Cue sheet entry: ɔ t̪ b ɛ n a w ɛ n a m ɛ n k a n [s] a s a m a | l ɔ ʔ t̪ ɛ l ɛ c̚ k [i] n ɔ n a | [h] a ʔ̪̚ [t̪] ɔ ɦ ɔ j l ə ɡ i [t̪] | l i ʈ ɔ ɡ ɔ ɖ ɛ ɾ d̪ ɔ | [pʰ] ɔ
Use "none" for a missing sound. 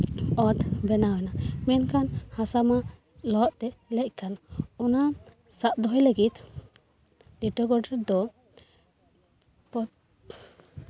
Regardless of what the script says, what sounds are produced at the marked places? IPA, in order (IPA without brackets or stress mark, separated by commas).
h, a, s, d̪, t̪, p